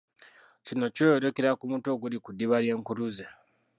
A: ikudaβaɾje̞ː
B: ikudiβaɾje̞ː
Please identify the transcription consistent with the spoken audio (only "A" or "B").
B